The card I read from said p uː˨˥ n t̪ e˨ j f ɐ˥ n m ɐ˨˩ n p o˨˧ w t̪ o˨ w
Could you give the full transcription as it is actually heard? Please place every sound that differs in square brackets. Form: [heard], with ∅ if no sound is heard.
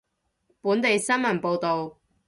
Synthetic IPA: p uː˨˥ n t̪ e˨ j [s] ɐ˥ n m ɐ˨˩ n p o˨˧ w t̪ o˨ w